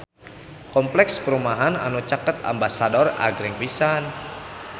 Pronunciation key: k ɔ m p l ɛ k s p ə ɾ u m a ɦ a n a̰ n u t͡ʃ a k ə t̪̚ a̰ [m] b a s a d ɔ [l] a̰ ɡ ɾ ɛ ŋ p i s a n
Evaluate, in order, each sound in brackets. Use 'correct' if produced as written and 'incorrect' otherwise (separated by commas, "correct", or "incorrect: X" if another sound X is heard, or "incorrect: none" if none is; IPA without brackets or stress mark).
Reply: correct, incorrect: r